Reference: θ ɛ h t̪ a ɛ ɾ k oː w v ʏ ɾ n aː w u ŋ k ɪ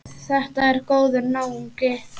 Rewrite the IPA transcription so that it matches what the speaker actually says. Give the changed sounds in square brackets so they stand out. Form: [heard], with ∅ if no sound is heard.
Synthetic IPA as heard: θ ɛ h t̪ a ɛ ɾ k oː w [ð] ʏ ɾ n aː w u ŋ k ɪ